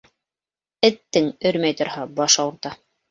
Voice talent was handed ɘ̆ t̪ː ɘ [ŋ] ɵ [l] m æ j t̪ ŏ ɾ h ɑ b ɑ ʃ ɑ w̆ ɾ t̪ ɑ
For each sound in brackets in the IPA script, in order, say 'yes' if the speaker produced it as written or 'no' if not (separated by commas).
yes, no